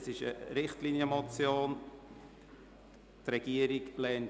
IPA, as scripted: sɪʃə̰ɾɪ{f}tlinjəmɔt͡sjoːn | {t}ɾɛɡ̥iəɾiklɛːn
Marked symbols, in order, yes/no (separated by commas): no, yes